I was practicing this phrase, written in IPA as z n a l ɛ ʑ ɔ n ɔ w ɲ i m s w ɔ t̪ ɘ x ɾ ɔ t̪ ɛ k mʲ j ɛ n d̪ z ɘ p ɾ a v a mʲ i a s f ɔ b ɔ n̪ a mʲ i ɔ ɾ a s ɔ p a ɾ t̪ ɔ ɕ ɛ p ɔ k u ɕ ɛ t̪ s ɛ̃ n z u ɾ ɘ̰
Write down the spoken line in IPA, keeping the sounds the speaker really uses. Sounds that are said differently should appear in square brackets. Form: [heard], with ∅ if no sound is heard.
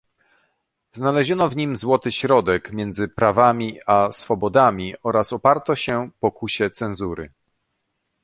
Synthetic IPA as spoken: z n a l ɛ ʑ ɔ n ɔ [v] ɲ i m [z] w ɔ t̪ ɘ [ɕ] ɾ ɔ [d̪] ɛ k mʲ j ɛ n d̪ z ɘ p ɾ a v a mʲ i a s f ɔ b ɔ [d̪] a mʲ i ɔ ɾ a s ɔ p a ɾ t̪ ɔ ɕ ɛ p ɔ k u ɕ ɛ t̪ s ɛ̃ n z u ɾ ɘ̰